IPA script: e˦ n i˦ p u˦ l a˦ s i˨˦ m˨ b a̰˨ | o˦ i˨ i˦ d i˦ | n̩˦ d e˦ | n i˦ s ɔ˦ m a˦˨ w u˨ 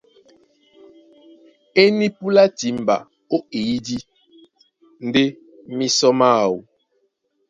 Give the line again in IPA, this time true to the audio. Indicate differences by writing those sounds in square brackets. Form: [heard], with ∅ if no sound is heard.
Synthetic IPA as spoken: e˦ n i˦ p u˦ l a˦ [t] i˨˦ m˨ b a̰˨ | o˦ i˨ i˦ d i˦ | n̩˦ d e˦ | [m] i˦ s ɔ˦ m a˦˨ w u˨